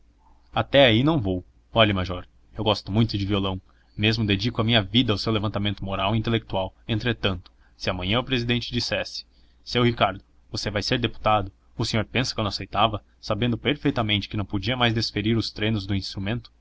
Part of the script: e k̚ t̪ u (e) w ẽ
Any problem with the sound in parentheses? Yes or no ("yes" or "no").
yes